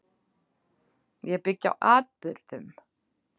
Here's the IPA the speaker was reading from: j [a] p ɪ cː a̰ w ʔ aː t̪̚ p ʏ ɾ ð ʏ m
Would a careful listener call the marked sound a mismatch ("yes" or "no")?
yes